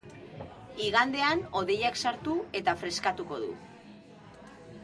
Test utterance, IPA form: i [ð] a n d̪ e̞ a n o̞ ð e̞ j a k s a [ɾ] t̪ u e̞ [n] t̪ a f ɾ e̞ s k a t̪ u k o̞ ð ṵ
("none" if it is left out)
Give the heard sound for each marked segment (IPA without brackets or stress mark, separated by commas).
ɣ, ɾ, none